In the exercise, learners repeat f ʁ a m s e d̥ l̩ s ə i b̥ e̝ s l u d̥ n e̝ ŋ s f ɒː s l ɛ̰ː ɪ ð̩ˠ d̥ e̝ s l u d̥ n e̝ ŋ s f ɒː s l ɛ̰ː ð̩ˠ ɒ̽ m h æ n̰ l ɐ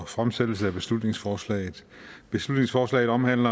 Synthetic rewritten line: f ʁ a m s e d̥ l̩ s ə æ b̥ e̝ s l u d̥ n e̝ ŋ s f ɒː s l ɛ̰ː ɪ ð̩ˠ b̥ e̝ s l u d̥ n e̝ ŋ s f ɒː s l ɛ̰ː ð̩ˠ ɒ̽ m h æ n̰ l ɐ